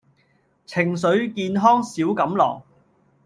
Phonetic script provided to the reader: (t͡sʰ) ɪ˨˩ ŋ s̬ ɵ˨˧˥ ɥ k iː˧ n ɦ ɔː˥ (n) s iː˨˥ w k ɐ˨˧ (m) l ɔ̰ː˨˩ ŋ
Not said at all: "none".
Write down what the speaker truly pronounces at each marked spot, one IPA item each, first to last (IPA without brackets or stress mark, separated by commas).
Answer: t͡sʰ, ŋ, m